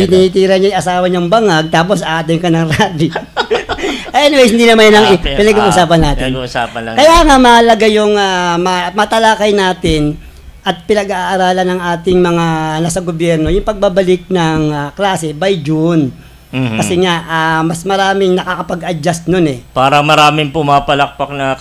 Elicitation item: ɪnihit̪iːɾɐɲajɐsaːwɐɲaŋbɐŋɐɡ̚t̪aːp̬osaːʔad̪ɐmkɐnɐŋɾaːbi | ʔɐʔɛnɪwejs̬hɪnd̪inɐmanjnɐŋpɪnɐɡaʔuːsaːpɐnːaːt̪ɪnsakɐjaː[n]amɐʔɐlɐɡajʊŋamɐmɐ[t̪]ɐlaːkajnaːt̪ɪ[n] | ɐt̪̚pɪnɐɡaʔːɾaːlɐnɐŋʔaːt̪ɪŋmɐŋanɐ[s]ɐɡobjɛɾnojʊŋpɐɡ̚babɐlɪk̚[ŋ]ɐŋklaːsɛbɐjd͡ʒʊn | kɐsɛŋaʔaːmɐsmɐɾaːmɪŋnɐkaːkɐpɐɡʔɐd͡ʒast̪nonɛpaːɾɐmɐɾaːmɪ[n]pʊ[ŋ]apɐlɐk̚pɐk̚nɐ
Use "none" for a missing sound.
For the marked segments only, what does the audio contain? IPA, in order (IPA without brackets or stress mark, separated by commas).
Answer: ŋ, t̪, n, s, n, ŋ, m